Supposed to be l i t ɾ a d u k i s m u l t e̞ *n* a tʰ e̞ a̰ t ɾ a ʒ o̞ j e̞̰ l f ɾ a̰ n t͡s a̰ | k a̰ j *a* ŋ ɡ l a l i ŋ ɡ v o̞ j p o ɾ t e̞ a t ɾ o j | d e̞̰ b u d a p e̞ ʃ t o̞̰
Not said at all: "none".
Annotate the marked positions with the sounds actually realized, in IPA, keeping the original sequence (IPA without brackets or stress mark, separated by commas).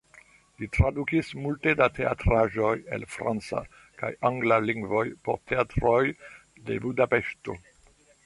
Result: d, a